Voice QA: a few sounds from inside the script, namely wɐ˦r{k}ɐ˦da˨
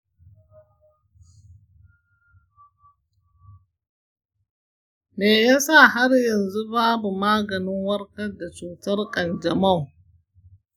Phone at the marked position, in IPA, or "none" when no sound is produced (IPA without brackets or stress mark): k